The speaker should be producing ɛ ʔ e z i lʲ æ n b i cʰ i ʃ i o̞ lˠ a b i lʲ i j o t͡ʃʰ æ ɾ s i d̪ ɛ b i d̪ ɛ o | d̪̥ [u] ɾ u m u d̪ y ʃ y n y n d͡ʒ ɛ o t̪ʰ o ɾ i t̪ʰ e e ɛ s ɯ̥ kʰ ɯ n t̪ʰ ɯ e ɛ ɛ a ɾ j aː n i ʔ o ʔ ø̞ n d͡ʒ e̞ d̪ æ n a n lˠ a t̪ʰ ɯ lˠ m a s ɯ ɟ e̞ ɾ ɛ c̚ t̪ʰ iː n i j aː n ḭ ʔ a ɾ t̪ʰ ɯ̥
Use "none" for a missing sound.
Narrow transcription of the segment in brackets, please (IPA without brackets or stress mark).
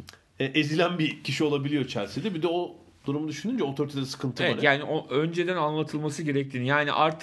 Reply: u